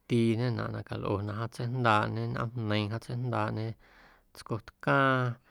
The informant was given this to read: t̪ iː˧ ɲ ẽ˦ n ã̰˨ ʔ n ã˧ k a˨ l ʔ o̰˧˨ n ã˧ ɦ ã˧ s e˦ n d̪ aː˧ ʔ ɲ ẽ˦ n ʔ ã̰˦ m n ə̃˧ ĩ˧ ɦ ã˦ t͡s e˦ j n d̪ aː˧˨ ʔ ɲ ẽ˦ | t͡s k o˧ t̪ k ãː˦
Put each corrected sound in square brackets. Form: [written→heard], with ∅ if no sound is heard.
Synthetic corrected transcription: t̪ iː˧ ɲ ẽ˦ n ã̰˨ ʔ n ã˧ k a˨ l ʔ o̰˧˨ n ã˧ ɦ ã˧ [s→t͡s] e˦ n d̪ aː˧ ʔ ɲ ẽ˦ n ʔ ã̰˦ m n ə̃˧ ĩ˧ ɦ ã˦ t͡s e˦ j n d̪ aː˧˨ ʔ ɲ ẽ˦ | t͡s k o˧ t̪ k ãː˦